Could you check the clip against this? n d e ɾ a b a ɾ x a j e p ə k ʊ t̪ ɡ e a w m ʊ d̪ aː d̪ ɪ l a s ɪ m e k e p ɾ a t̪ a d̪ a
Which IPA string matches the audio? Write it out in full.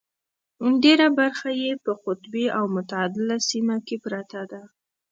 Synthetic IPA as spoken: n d e ɾ a b a ɾ x a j e p ə q ʊ t̪ b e a w m ʊ t̪ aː d̪ ɪ l a s i m a k e p ɾ a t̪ a d̪ a